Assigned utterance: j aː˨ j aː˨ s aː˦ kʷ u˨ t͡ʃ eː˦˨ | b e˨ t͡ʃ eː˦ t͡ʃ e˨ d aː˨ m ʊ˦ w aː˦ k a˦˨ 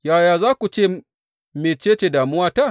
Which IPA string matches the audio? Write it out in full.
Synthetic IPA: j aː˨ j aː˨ z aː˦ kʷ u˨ t͡ʃ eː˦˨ | m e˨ t͡ʃ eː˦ t͡ʃ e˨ d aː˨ m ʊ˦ w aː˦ t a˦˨